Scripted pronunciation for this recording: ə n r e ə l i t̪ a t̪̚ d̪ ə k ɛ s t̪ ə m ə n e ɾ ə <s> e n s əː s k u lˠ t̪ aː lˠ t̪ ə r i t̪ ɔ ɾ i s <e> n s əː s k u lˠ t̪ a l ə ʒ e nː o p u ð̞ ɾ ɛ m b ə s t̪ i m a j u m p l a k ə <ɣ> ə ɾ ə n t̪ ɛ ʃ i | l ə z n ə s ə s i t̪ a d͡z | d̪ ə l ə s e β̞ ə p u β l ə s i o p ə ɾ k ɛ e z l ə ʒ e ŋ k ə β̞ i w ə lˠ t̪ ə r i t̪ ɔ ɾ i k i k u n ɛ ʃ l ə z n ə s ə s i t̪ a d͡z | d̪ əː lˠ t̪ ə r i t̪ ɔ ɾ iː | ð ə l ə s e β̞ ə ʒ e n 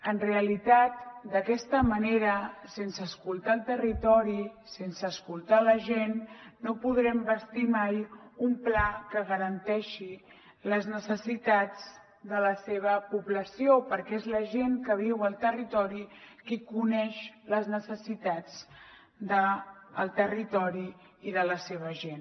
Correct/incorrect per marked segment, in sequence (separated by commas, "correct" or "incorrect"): correct, correct, correct